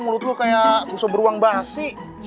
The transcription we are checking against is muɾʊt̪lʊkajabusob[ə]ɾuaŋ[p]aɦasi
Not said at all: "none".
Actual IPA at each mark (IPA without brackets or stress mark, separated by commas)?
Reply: ə, b